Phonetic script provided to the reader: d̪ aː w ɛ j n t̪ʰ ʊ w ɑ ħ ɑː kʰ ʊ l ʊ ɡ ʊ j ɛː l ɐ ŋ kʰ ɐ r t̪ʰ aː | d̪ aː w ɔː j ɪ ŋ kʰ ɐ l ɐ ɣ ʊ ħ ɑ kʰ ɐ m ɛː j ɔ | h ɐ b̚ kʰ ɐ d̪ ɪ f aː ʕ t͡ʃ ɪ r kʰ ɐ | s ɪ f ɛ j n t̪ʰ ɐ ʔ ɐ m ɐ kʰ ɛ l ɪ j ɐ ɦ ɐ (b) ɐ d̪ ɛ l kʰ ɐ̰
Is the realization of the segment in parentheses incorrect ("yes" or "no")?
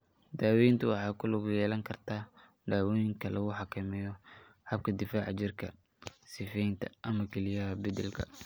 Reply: no